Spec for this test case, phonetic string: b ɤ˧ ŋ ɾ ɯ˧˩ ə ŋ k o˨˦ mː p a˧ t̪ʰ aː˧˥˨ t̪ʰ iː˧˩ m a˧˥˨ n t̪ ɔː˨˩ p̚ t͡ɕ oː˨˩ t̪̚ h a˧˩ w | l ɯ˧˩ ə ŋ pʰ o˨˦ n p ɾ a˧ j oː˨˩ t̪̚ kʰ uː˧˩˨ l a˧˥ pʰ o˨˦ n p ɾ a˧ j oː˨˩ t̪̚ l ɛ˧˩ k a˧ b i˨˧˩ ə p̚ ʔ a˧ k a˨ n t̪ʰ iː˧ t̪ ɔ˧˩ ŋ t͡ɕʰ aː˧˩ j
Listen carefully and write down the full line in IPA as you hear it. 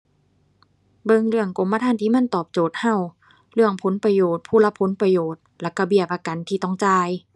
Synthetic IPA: b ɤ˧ ŋ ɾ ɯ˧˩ ə ŋ k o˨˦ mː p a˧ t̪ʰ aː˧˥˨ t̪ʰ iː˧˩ m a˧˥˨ n t̪ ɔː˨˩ p̚ t͡ɕ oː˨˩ t̪̚ h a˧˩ w | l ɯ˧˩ ə ŋ pʰ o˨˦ n p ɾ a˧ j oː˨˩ t̪̚ pʰ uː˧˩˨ l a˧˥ pʰ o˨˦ n p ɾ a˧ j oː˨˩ t̪̚ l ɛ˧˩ k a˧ b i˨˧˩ ə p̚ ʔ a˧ k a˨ n t̪ʰ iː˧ t̪ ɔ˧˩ ŋ t͡ɕ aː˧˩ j